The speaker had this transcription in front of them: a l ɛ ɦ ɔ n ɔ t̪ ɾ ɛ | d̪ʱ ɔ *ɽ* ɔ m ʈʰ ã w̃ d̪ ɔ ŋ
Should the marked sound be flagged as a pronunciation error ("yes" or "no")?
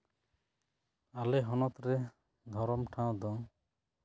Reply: yes